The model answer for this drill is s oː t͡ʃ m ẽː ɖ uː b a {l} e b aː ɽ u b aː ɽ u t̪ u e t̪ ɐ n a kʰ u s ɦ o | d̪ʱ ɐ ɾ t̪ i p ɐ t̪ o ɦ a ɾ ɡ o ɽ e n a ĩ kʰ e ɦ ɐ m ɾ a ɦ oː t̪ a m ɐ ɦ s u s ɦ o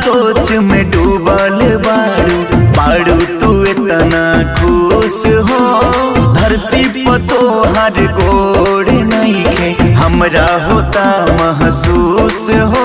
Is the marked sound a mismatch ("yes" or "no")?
no